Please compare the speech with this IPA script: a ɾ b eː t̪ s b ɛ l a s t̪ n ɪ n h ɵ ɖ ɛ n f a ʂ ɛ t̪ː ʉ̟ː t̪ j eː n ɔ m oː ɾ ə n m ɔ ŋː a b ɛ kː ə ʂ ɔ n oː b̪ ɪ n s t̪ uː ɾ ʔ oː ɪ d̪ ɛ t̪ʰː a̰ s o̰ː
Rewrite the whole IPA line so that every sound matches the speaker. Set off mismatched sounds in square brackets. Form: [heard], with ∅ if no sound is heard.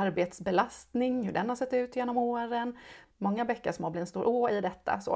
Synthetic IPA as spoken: a ɾ b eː t̪ s b ɛ l a s t̪ n ɪ [ŋ] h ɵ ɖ ɛ n [h] a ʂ ɛ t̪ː ʉ̟ː t̪ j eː n ɔ m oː ɾ ə n m ɔ ŋː a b ɛ kː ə ʂ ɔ [m] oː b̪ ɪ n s t̪ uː ɾ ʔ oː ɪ d̪ ɛ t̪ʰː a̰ s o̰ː